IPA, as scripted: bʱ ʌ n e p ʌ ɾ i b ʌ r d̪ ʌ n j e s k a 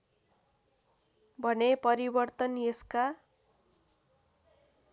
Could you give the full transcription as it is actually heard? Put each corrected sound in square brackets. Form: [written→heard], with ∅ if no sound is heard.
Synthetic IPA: bʱ ʌ n e p ʌ ɾ i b ʌ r [d̪→t̪] ʌ n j e s k a

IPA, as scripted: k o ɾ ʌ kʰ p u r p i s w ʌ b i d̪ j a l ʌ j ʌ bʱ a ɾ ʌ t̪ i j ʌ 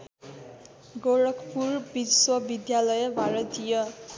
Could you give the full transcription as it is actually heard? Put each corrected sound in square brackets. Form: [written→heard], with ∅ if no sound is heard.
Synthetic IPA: [k→ɡ] o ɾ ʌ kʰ p u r [p→b] i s w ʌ b i d̪ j a l ʌ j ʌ bʱ a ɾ ʌ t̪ i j ʌ

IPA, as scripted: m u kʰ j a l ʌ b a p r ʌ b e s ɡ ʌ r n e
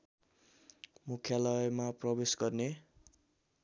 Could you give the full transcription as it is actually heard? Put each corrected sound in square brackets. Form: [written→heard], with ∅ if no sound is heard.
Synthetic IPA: m u kʰ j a l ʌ [b→m] a p r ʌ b e s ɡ ʌ r n e

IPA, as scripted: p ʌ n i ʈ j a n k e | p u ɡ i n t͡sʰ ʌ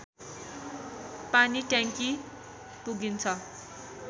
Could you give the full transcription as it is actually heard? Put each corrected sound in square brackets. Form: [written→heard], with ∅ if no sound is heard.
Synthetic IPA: p [ʌ→a] n i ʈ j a [n→ŋ] k [e→i] | p u ɡ i n t͡sʰ ʌ

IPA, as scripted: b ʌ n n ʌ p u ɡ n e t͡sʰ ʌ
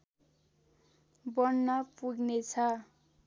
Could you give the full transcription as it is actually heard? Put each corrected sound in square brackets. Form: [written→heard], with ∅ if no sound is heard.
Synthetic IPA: b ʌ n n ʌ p u ɡ n e t͡sʰ ʌ

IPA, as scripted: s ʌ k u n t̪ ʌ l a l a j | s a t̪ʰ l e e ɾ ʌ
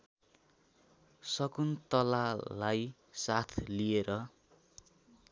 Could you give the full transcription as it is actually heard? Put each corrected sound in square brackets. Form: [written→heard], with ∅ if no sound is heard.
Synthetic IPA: s ʌ k u n t̪ ʌ l a l a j | s a t̪ʰ l [e→i] e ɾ ʌ

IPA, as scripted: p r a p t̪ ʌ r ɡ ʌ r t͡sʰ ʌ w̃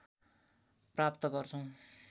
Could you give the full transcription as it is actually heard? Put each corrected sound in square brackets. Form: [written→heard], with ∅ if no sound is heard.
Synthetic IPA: p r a p t̪ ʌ [r→∅] ɡ ʌ r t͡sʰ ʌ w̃

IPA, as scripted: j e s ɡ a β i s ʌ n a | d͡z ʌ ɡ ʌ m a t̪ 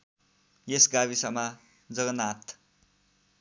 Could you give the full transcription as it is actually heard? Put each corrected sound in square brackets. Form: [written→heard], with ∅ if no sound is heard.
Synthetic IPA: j e s ɡ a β i s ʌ [n→m] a | d͡z ʌ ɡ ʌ [m→n] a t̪

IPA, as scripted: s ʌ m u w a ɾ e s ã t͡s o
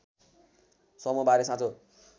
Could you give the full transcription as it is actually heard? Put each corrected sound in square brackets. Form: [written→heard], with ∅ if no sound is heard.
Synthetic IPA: s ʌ m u [w→b] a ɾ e s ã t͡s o

